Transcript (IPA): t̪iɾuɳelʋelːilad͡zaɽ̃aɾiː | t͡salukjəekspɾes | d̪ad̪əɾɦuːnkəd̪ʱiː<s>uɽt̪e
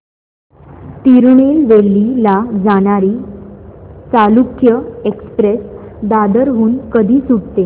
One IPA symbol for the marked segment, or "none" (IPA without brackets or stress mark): s